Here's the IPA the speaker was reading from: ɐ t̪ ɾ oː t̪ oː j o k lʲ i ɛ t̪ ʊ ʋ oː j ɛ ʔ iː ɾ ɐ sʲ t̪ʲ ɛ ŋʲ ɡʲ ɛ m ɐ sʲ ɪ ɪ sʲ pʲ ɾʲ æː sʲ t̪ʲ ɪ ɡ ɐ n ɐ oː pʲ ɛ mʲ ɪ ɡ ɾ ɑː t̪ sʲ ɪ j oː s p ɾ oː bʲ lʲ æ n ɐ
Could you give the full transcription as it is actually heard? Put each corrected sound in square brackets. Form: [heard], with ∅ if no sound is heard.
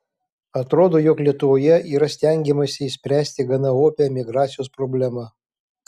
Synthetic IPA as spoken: ɐ t̪ ɾ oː [d̪] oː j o k lʲ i ɛ t̪ ʊ ʋ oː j ɛ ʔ iː ɾ ɐ sʲ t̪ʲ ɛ ŋʲ ɡʲ ɛ m ɐ sʲ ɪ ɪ sʲ pʲ ɾʲ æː sʲ t̪ʲ ɪ ɡ ɐ n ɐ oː pʲ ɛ mʲ ɪ ɡ ɾ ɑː t̪ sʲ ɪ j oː s p ɾ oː bʲ lʲ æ [m] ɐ